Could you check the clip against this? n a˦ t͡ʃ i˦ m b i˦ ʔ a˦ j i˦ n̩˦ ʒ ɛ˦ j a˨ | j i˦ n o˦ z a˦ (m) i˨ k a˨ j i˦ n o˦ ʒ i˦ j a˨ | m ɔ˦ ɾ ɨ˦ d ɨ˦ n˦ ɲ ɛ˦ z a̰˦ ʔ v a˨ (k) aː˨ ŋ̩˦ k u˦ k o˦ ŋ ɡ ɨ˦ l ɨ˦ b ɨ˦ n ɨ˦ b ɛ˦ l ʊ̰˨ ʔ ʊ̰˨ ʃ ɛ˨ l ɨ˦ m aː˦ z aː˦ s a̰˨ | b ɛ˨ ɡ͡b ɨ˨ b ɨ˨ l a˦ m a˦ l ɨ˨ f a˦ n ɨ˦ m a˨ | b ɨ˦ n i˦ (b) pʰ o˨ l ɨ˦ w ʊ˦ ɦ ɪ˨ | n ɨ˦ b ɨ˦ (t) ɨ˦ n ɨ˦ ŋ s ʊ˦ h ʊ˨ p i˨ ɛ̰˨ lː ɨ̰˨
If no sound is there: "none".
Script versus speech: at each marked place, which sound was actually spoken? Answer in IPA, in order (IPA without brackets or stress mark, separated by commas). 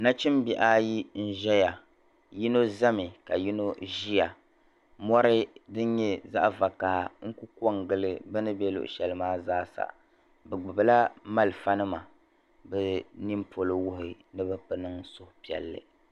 m, k, m, p